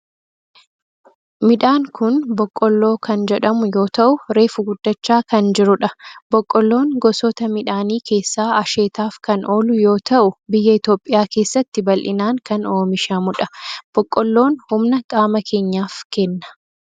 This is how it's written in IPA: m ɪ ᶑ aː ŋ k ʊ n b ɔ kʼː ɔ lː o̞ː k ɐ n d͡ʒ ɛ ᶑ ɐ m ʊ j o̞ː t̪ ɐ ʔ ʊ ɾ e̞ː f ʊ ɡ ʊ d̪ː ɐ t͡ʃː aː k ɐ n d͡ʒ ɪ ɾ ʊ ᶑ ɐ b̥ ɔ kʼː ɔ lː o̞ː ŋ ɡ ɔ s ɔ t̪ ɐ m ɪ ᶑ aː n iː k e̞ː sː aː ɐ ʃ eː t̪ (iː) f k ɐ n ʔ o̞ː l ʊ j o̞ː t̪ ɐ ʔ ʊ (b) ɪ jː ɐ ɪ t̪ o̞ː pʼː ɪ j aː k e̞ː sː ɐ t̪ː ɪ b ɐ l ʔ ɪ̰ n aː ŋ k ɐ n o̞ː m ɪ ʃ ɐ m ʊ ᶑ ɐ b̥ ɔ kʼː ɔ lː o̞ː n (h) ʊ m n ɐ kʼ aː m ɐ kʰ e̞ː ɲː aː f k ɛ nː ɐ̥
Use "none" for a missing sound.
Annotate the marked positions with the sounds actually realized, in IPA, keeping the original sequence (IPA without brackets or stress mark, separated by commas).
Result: aː, b, h